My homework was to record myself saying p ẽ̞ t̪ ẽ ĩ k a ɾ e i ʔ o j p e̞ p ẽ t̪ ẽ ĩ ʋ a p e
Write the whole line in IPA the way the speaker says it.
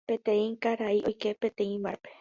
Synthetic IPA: p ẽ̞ t̪ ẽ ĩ k a ɾ a i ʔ o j k e̞ p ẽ t̪ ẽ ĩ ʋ a p e